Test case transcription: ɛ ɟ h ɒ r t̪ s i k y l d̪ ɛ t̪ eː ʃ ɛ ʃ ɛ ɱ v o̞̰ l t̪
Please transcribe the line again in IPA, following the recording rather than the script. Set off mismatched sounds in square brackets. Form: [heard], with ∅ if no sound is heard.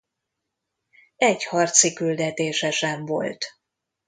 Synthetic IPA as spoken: ɛ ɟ h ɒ r t̪ s i k y l d̪ ɛ t̪ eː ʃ ɛ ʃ ɛ ɱ v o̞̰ l t̪